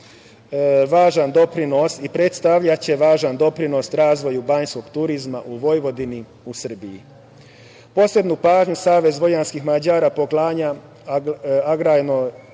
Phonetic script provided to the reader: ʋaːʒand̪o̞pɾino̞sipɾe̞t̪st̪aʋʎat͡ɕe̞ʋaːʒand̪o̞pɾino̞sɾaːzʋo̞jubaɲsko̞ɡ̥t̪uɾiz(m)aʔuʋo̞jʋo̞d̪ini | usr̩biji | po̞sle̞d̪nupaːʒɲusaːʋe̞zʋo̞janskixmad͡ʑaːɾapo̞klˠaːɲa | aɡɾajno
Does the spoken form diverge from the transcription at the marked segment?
no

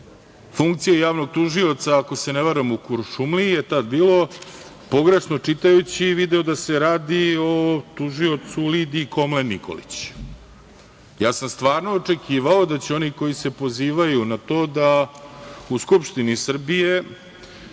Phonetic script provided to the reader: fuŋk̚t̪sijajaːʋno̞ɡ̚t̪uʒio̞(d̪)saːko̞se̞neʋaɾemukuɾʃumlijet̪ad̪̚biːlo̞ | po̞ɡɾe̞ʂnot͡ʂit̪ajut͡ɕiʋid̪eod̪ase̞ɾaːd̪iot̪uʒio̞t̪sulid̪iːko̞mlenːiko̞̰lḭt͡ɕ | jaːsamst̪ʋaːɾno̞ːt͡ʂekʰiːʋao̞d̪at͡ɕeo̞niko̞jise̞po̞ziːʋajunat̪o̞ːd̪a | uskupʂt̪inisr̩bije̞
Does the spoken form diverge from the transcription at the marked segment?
yes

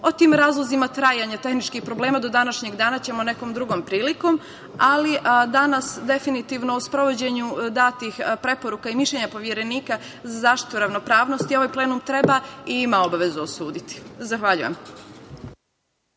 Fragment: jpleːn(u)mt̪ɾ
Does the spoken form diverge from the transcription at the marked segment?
no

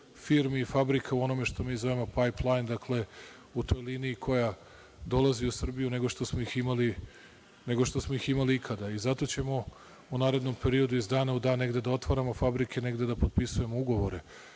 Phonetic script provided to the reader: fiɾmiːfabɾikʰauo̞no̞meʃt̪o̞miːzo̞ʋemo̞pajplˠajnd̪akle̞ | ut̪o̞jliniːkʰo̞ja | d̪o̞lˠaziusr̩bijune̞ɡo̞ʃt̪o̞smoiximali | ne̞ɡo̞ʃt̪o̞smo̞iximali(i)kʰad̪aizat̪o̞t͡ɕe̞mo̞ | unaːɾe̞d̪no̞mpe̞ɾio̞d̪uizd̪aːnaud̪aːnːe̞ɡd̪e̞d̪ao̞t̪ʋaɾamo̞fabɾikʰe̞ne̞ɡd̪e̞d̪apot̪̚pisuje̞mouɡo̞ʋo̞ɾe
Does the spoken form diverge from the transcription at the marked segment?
no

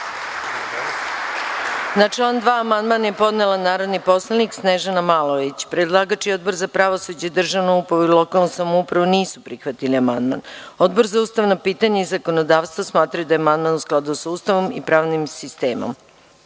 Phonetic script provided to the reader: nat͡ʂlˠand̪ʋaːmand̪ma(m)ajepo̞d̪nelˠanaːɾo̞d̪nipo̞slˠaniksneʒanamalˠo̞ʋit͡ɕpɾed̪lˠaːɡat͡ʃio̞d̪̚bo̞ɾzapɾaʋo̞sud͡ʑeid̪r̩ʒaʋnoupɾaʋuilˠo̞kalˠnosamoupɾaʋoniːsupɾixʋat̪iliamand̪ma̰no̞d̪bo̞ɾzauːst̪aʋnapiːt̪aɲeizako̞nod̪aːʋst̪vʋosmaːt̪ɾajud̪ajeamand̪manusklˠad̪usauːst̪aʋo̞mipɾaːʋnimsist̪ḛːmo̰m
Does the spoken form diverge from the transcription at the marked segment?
yes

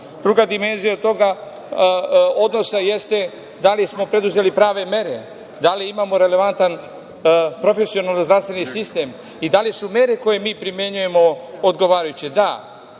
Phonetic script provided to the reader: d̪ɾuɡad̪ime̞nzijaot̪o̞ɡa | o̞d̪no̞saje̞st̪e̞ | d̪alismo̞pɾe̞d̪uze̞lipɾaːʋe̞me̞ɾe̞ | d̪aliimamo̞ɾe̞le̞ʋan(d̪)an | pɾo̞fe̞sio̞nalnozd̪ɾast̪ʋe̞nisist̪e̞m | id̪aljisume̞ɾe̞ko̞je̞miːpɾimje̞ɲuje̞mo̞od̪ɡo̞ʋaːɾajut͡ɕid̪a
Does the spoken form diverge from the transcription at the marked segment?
yes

